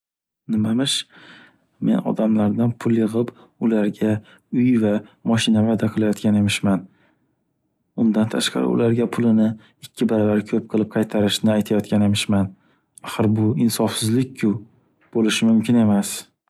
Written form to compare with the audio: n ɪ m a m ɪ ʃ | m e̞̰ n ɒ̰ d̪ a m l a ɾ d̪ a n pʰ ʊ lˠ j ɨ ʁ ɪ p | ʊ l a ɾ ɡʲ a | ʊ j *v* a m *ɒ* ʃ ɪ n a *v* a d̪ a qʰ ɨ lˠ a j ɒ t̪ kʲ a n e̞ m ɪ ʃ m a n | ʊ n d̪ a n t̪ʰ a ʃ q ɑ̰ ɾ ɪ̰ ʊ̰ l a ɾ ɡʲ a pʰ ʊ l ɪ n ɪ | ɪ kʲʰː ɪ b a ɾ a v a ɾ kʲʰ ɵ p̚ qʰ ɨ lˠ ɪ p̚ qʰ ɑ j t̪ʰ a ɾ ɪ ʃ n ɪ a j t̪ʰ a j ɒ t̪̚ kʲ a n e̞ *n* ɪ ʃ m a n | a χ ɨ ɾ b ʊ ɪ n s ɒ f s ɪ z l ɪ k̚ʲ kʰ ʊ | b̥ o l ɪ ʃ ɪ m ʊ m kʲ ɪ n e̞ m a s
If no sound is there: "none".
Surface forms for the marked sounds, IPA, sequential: v, ɒ, v, m

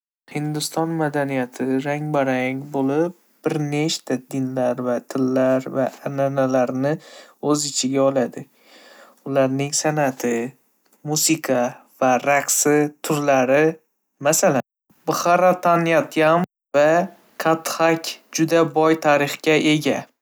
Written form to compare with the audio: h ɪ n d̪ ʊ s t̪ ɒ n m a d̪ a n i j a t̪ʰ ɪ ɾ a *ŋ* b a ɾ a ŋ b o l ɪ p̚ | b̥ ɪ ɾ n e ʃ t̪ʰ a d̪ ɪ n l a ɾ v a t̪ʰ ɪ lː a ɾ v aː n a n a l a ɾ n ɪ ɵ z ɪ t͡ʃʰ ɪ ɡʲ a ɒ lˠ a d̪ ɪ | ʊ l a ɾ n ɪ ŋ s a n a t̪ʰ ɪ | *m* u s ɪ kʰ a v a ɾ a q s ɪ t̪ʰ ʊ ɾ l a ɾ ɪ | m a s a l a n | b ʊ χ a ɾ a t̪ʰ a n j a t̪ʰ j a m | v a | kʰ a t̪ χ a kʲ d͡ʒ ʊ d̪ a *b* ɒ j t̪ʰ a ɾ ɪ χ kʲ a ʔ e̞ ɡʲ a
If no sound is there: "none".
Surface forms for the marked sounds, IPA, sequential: ŋ, m, b

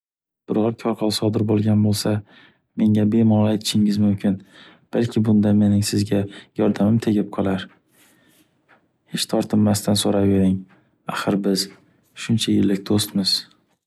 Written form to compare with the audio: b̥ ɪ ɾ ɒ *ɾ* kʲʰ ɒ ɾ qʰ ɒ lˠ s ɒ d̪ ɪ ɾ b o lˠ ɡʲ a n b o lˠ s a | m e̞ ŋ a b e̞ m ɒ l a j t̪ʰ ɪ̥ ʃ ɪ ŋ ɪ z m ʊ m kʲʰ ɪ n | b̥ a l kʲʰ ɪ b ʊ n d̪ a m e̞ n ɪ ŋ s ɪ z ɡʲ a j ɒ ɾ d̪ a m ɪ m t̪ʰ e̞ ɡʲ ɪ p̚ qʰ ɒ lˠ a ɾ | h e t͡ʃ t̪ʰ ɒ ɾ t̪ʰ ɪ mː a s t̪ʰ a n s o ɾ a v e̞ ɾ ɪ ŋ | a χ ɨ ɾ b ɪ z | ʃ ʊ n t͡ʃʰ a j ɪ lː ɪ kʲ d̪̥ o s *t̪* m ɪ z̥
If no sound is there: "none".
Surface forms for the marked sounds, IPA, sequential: ɾ, t̪

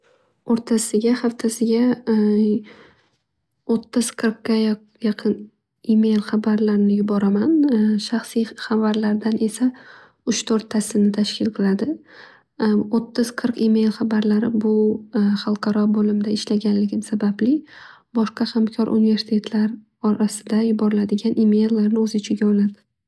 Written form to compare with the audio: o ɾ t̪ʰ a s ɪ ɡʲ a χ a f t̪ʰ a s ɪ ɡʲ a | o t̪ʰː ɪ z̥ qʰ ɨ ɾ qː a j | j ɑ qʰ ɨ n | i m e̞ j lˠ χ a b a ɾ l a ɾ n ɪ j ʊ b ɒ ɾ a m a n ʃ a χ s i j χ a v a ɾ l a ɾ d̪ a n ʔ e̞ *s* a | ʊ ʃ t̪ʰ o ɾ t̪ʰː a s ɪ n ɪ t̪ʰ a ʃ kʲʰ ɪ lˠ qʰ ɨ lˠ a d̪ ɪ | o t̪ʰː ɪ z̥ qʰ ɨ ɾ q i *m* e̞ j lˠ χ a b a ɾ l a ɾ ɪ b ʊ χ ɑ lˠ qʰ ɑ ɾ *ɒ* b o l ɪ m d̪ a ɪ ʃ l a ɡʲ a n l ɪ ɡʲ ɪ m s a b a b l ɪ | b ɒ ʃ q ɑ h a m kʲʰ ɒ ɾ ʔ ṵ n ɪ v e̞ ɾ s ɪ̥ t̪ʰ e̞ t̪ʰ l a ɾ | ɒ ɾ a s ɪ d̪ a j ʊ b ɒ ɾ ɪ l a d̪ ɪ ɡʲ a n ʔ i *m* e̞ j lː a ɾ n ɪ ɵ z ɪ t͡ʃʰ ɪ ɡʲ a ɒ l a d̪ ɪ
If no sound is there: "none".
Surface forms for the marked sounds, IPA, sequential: s, m, ɒ, m

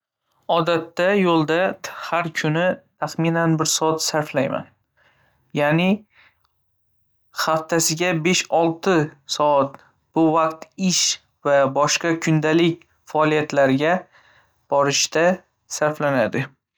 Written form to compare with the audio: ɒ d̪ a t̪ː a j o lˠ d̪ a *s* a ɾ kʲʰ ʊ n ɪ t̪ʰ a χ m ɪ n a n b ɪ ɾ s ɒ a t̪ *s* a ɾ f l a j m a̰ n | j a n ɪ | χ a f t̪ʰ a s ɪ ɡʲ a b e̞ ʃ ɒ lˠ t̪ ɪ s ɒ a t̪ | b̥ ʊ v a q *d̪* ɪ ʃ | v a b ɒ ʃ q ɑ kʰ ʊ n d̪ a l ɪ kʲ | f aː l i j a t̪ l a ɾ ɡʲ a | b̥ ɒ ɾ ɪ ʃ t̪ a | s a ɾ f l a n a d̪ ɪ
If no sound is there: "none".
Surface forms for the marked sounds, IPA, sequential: h, s, t̪

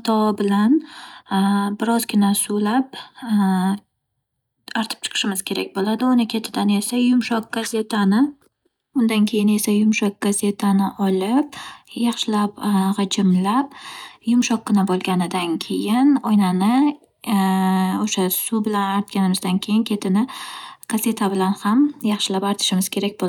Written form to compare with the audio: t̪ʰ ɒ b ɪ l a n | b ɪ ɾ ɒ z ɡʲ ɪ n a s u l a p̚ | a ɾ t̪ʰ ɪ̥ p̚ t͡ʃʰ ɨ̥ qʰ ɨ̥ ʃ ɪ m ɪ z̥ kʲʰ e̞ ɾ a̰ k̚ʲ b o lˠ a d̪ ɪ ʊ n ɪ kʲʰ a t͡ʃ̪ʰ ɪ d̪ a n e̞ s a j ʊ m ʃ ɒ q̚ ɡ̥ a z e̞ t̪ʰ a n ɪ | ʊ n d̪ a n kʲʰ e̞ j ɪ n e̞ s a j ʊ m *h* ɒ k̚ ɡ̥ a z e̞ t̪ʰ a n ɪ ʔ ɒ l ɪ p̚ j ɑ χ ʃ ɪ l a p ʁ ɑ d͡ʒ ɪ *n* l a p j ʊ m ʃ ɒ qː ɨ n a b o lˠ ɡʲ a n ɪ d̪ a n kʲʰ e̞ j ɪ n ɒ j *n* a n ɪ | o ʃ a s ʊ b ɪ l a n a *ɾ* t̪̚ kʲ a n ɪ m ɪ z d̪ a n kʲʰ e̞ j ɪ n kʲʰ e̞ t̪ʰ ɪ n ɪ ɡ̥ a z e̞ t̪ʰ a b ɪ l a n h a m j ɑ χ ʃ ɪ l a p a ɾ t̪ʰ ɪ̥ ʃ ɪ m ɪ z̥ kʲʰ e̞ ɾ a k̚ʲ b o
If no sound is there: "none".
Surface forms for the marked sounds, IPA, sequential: ʃ, m, n, ɾ

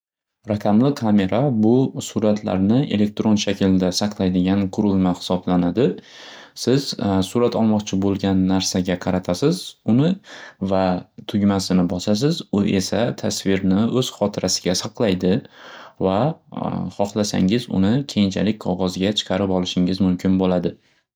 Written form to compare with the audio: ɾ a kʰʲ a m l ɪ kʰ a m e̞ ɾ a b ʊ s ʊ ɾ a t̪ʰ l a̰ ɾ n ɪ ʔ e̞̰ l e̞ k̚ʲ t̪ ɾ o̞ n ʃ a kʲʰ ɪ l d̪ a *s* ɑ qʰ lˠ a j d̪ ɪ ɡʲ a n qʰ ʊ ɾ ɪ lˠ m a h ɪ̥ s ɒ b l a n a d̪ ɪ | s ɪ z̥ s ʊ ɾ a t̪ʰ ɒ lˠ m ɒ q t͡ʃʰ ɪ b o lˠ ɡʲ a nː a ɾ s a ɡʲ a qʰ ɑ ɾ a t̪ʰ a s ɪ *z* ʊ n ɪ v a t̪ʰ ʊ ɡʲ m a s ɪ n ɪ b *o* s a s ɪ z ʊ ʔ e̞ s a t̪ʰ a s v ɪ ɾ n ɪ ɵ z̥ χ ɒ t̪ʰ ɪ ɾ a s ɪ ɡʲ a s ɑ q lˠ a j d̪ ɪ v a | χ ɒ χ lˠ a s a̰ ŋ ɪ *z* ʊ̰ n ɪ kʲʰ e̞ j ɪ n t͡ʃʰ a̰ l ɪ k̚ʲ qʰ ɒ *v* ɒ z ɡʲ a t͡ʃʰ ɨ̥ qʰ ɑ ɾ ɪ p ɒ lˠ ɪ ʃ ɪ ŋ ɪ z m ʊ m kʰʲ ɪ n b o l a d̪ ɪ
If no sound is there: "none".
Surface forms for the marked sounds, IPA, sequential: s, z, ɒ, z, ʁ

